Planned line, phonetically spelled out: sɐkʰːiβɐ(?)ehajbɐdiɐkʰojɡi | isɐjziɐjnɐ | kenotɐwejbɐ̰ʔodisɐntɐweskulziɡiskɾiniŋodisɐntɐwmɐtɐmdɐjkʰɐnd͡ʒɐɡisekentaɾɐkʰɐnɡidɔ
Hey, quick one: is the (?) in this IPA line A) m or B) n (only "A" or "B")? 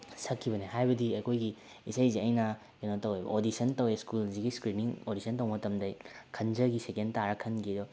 B